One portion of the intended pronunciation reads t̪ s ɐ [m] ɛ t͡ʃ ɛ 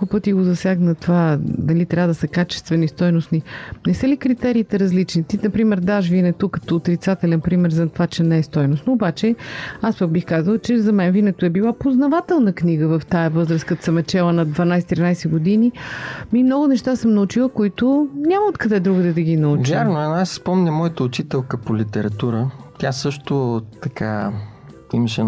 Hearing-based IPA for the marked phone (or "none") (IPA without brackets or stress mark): m